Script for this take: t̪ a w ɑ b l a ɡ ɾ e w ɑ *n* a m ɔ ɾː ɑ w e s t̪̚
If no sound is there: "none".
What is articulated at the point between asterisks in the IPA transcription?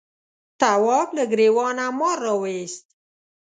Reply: n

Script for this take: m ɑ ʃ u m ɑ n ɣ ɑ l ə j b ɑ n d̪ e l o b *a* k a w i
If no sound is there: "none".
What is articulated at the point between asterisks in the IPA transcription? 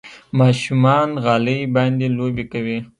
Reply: e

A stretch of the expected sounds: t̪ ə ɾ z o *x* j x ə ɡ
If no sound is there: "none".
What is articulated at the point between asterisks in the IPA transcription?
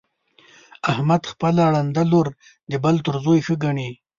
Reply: none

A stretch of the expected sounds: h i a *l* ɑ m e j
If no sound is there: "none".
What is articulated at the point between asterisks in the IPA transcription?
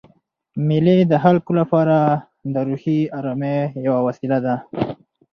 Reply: ɾ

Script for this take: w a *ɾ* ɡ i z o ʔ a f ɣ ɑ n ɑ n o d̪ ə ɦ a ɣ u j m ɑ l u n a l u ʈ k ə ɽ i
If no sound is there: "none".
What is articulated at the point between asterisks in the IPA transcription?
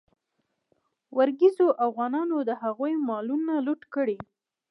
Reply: ɾ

